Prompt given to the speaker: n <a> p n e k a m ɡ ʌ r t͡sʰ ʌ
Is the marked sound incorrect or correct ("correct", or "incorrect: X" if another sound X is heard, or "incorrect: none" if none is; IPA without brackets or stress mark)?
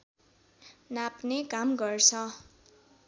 correct